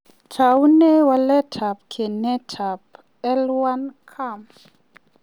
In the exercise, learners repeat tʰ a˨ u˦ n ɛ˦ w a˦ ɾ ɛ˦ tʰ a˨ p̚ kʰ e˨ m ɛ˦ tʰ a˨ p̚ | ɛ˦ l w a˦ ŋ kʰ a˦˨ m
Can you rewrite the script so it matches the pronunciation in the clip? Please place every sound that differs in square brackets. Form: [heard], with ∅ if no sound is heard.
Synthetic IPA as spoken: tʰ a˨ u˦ n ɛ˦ w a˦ [l] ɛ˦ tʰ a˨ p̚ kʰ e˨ [n] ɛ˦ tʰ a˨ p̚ | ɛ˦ l w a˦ [n] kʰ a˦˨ m